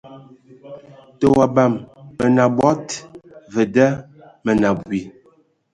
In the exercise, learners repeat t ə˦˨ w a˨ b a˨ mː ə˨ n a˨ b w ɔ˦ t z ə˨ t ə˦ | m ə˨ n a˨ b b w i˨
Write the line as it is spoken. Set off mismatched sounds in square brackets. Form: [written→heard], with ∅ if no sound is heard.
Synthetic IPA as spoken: t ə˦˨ w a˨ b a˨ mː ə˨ n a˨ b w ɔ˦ t [z→v] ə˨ [t→d] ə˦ | m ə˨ n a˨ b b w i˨